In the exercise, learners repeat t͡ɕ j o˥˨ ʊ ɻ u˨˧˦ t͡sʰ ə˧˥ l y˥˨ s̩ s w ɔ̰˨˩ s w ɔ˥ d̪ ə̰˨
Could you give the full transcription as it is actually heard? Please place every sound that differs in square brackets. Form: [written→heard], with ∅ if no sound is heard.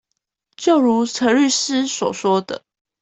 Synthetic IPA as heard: t͡ɕ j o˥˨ ʊ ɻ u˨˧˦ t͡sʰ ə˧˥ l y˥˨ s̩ s w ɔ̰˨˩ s w ɔ˥ d̪ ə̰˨